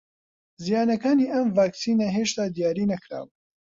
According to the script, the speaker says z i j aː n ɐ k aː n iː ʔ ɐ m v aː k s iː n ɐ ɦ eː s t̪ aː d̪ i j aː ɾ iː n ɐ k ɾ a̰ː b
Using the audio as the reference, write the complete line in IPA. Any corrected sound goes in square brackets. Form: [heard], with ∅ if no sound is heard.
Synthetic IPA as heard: z i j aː n ɐ k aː n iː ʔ ɐ m v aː k s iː n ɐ ɦ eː [ʃ] t̪ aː d̪ i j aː ɾ iː n ɐ k ɾ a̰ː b